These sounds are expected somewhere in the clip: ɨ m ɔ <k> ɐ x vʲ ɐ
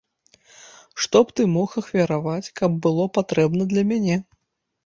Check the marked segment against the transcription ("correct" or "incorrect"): incorrect